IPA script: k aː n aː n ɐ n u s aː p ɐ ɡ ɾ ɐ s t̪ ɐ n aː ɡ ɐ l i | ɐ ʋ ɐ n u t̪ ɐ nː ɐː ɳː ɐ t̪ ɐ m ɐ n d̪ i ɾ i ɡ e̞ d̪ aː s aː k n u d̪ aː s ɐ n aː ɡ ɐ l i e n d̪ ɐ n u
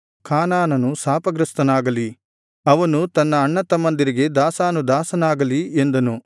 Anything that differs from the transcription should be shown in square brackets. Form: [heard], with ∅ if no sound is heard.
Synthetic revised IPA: k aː n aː n ɐ n u s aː p ɐ ɡ ɾ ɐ s t̪ ɐ n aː ɡ ɐ l i | ɐ ʋ ɐ n u t̪ ɐ nː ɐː ɳː ɐ t̪ ɐ m ɐ n d̪ i ɾ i ɡ e̞ d̪ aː s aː [∅] n u d̪ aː s ɐ n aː ɡ ɐ l i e n d̪ ɐ n u